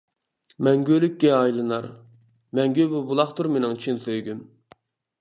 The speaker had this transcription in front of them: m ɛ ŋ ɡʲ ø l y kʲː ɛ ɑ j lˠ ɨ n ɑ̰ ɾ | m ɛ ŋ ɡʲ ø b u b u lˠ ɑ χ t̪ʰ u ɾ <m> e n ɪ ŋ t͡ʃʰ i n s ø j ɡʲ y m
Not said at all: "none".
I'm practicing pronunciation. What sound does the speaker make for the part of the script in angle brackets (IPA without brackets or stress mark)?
m